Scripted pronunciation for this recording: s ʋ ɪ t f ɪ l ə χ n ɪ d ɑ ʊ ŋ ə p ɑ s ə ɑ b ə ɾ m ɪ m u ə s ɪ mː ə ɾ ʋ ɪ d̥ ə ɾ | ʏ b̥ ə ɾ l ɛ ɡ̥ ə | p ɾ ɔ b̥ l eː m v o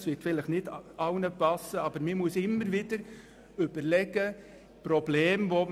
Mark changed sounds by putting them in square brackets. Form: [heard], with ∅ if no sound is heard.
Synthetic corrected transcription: s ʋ ɪ t f ɪ l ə χ n ɪ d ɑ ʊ [n] ə p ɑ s ə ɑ b ə ɾ m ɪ m u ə s ɪ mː ə ɾ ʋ ɪ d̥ ə ɾ | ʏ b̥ ə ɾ l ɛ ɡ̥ ə | p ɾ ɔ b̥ l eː m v o